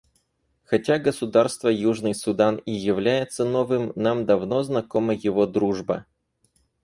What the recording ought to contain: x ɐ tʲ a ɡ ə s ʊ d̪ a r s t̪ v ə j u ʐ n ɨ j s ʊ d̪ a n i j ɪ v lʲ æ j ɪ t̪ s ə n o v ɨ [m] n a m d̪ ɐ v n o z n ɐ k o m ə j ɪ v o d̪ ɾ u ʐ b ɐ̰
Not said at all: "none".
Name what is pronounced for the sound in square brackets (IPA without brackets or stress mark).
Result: m